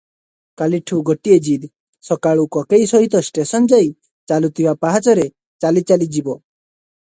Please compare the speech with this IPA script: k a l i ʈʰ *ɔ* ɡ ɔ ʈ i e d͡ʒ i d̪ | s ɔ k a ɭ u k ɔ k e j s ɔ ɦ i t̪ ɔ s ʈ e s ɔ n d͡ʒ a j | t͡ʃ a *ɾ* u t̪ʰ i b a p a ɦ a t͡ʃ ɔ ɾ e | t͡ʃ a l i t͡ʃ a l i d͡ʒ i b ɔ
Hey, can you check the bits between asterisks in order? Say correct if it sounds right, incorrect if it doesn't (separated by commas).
incorrect, incorrect